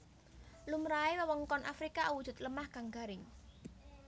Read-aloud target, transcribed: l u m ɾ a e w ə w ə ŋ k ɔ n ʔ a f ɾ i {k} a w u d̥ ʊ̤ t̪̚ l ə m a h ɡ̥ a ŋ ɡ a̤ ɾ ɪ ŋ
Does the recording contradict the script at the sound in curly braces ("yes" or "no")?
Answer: no